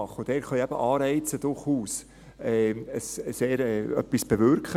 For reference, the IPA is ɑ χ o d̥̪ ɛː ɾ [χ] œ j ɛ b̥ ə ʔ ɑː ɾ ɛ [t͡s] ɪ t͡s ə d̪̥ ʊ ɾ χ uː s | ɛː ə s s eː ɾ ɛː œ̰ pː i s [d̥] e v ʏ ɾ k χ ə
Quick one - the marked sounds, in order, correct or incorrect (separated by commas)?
correct, incorrect, incorrect